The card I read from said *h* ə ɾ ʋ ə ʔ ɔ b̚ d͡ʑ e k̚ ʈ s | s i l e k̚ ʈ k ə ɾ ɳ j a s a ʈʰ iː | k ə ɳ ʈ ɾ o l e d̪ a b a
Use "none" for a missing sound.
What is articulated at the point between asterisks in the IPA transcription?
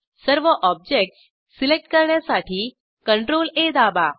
s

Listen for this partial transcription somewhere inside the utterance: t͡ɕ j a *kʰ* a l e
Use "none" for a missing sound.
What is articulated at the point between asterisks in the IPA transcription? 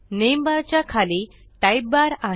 kʰ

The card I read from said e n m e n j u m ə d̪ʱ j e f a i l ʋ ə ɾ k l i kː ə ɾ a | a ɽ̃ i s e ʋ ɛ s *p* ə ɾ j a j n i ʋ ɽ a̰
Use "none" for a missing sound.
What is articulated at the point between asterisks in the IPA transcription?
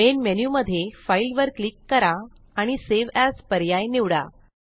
p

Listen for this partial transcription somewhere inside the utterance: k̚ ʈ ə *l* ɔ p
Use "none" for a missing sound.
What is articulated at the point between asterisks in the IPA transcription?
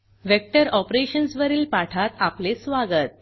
ɾ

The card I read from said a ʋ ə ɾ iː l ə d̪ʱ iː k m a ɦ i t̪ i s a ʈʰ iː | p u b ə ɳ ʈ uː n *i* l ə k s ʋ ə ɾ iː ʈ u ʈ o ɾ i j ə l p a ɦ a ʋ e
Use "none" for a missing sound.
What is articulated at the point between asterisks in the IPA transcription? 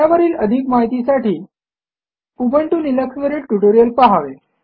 i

